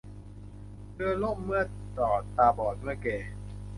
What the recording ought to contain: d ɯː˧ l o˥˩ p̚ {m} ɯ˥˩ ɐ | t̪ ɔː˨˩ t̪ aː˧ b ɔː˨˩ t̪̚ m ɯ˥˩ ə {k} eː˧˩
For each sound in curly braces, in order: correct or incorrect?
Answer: correct, correct

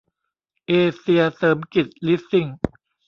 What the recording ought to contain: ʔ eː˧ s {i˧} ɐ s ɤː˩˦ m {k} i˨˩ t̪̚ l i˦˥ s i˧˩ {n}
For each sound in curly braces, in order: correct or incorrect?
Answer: correct, correct, incorrect: ŋ

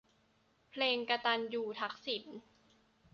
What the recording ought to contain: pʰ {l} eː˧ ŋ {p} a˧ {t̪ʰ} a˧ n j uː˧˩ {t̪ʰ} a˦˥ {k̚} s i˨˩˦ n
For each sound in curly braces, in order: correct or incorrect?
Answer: correct, incorrect: k, incorrect: t̪, correct, correct

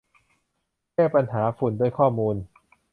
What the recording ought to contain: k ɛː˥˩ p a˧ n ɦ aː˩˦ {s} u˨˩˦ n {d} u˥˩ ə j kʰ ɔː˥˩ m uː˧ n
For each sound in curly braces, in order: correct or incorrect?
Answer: incorrect: f, correct

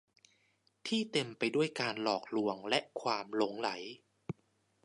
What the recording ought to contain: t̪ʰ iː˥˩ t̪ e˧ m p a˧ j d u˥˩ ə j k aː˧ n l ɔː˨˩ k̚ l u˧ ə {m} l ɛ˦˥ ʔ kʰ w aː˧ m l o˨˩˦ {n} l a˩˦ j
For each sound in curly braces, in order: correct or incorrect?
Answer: incorrect: ŋ, incorrect: ŋ

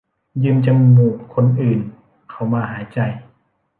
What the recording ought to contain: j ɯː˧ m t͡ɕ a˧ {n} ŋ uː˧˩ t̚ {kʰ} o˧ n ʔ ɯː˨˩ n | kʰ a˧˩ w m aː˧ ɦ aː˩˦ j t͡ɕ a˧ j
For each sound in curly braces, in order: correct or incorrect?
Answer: incorrect: m, correct

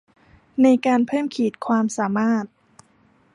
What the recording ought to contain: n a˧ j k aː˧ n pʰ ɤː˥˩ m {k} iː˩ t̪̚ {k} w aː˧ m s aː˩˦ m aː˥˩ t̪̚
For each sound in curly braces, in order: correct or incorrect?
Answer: incorrect: kʰ, incorrect: kʰ

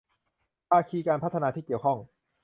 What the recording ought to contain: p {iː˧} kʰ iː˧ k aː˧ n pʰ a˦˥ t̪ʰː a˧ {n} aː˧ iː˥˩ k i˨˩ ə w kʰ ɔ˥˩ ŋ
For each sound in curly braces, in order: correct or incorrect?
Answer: incorrect: aː˧, correct

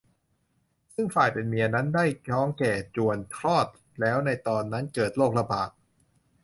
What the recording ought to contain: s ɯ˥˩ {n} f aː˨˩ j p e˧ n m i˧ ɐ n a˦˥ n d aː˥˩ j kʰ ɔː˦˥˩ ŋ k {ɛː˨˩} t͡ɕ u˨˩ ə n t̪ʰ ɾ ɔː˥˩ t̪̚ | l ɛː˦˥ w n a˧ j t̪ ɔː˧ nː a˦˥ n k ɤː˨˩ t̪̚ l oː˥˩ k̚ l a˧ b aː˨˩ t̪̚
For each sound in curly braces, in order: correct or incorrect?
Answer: incorrect: ŋ, correct

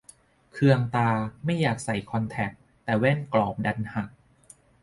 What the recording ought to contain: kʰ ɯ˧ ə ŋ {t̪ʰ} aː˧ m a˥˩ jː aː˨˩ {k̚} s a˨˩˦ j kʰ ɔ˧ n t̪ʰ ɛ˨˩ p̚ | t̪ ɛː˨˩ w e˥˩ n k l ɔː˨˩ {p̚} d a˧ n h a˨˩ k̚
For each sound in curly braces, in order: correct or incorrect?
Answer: incorrect: t̪, correct, correct

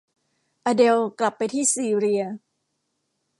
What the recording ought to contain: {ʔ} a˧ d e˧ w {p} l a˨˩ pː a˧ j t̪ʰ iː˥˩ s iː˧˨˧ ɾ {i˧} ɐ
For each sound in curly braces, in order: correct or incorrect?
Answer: correct, incorrect: k, correct

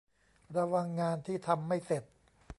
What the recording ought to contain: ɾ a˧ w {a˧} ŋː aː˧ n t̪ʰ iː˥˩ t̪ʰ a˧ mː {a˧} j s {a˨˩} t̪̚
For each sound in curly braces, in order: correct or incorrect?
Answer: correct, incorrect: a˥˩, incorrect: e˨˩

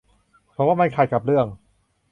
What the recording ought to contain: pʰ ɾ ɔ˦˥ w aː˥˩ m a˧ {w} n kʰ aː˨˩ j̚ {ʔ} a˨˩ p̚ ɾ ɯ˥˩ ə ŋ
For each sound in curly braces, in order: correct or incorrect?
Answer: incorrect: none, incorrect: k

